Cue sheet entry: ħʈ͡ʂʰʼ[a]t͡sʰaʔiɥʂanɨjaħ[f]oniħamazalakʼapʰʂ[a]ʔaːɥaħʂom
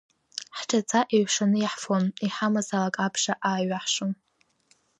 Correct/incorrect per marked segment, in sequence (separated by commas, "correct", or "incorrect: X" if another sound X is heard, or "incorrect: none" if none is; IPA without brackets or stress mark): correct, correct, correct